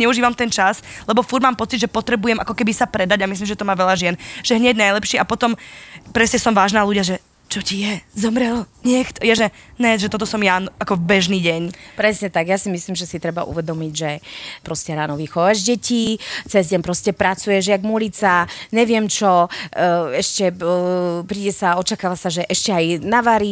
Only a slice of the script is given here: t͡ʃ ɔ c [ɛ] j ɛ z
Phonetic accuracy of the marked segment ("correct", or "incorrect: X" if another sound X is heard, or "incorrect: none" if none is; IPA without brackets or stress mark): incorrect: i